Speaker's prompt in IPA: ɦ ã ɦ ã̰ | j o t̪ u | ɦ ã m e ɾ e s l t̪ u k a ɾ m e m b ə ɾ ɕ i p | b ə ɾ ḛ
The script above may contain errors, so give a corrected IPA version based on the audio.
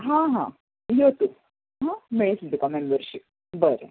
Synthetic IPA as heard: ɦ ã ɦ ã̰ | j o t̪ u | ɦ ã m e ɭ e s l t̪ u k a m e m b ə ɾ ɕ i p | b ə ɾ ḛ